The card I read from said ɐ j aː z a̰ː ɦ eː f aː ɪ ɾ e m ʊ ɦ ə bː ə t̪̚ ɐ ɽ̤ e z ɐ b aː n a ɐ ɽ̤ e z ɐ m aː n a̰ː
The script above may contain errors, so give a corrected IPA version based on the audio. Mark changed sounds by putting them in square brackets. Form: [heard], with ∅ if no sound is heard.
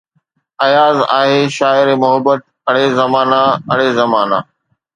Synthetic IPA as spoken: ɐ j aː z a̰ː ɦ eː [ʃ] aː ɪ ɾ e m ʊ ɦ ə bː ə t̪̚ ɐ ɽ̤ e z ɐ [m] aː n a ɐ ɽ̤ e z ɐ m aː n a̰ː

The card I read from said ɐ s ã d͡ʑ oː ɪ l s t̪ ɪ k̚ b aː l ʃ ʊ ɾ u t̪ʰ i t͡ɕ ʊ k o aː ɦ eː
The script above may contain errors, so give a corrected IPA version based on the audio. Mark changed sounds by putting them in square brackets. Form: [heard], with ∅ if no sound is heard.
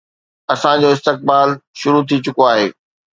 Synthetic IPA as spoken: ɐ s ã d͡ʑ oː ɪ [∅] s t̪ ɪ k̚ b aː l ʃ ʊ ɾ u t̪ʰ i t͡ɕ ʊ k o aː ɦ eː

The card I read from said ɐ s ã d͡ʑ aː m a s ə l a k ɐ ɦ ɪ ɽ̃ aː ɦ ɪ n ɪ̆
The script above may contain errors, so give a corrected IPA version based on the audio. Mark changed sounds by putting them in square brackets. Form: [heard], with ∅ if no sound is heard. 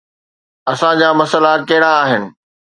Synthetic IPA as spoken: ɐ s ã d͡ʑ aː m [ɐ] s ə l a k ɐ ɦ ɪ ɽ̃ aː ɦ ɪ n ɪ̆

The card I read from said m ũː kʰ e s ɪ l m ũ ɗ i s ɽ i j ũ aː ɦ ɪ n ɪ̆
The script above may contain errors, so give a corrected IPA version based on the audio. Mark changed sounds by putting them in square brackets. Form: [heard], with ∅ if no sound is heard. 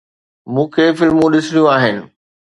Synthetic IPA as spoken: m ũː kʰ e [f] ɪ l m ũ ɗ [ɪ] s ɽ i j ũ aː ɦ ɪ n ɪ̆

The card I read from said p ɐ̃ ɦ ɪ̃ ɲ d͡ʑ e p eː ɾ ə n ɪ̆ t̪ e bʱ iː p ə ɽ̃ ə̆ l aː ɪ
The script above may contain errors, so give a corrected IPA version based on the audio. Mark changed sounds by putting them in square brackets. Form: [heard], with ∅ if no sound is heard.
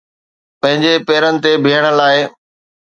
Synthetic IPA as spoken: p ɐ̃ ɦ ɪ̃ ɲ d͡ʑ e p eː ɾ ə n ɪ̆ t̪ e bʱ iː [∅] ə ɽ̃ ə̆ l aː ɪ

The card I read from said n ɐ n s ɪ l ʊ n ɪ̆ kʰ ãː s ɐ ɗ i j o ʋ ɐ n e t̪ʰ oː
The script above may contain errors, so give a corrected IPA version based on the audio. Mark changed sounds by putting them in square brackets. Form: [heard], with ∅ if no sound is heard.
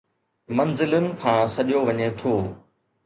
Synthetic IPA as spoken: [m] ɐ n [z] ɪ l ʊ n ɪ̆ kʰ ãː s ɐ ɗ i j o ʋ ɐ [ɲ] e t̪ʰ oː

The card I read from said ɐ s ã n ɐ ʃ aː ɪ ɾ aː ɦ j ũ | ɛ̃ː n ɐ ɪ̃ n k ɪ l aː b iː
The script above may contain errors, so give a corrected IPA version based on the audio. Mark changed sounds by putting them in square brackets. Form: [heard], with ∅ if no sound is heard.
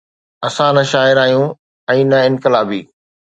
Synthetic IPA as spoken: ɐ s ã n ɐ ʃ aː ɪ ɾ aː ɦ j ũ | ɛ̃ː n ɐ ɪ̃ n k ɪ l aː b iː

